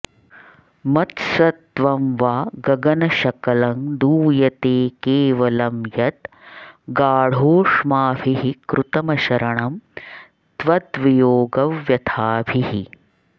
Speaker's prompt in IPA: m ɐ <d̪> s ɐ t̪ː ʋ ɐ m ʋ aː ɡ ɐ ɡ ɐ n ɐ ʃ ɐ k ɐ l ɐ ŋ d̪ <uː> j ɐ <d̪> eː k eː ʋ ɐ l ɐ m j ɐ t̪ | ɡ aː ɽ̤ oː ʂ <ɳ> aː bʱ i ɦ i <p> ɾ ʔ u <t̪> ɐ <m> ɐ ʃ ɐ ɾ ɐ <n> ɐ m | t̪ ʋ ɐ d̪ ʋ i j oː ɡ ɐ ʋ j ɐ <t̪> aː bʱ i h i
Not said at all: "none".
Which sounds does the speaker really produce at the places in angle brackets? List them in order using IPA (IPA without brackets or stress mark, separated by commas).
t̪, uː, t̪, m, k, t̪, m, ɳ, t̪ʰ